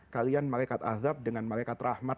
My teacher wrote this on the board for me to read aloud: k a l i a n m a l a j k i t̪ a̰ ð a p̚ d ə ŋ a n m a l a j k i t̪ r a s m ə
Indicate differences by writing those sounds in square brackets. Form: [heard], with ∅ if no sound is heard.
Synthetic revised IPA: k a l i a n m a l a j k [a] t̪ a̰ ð a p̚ d ə ŋ a n m a l a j k [a] t̪ r a [h] m [a]